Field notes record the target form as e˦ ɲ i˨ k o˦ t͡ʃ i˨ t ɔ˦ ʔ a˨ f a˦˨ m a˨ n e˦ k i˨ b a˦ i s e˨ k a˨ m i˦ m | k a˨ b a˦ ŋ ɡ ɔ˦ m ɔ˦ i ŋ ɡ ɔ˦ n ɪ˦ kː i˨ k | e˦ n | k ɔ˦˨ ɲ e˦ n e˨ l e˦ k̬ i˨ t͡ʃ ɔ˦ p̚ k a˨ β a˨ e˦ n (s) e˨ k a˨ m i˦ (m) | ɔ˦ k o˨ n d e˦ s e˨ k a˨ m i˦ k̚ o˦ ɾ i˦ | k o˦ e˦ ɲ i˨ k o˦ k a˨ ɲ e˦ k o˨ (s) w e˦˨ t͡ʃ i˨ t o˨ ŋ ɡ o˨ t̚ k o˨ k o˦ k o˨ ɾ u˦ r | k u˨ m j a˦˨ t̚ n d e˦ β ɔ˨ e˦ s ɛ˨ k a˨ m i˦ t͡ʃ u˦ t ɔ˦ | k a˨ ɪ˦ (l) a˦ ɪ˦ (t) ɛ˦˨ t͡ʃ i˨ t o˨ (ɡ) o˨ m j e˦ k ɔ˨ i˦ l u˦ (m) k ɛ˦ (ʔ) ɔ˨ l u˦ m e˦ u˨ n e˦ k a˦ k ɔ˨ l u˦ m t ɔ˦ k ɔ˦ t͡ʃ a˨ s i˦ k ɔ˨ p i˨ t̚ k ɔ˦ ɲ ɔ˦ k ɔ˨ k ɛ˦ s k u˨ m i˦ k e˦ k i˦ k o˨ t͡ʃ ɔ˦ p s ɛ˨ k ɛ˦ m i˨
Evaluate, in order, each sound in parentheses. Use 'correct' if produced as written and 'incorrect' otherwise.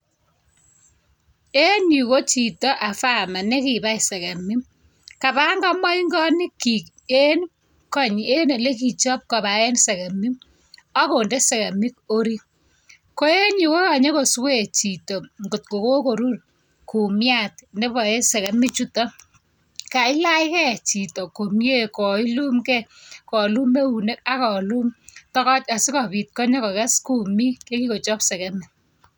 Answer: correct, correct, correct, correct, incorrect, incorrect, correct, incorrect

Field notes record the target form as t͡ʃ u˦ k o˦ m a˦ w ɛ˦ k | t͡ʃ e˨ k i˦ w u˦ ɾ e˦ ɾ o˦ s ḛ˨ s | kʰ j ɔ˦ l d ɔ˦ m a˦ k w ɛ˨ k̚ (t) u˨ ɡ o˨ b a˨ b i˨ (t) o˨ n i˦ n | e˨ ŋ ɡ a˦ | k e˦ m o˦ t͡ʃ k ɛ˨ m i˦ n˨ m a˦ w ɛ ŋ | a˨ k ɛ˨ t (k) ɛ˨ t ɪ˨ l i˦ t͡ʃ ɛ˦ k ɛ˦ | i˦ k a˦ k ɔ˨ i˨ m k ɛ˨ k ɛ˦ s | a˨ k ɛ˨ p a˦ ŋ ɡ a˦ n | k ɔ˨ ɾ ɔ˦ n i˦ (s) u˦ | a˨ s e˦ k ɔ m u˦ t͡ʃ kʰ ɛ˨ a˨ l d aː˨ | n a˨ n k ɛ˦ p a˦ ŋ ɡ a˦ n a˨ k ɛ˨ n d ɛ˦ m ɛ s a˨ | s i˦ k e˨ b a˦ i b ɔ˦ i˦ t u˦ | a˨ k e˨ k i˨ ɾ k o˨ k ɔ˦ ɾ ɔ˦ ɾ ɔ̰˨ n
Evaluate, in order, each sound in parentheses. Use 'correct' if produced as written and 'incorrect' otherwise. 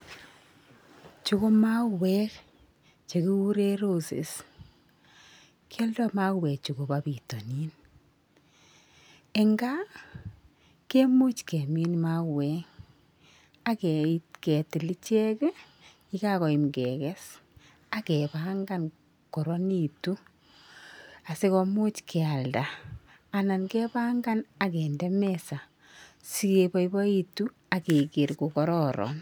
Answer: incorrect, correct, correct, incorrect

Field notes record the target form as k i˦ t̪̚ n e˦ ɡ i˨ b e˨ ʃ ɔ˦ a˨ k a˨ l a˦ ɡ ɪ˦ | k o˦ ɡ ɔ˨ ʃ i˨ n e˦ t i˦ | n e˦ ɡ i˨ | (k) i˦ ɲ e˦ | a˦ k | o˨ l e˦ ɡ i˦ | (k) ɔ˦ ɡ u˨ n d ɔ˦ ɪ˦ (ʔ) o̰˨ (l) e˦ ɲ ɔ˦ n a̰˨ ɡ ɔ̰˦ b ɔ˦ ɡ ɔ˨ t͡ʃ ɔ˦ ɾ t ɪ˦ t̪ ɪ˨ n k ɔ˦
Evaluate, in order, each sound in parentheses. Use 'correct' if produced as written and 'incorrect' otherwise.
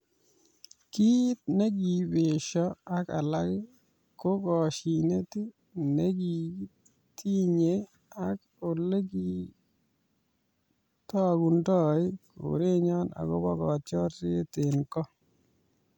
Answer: incorrect, incorrect, incorrect, incorrect

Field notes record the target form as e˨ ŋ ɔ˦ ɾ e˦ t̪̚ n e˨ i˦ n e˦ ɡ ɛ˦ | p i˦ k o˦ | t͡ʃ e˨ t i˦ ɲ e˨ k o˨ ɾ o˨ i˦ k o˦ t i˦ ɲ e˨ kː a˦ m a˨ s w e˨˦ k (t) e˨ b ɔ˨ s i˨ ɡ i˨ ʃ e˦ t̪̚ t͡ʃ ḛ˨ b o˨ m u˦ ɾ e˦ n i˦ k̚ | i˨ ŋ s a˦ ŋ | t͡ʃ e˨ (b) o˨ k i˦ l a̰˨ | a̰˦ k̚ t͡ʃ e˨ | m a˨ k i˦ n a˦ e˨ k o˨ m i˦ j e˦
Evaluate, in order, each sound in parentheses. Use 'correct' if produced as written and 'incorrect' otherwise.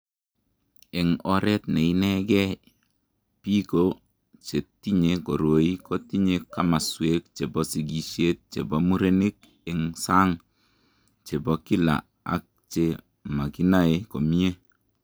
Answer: incorrect, correct

